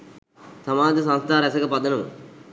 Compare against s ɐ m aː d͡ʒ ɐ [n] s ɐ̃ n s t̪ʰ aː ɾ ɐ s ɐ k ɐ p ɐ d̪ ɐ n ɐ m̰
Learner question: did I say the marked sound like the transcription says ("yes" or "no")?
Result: no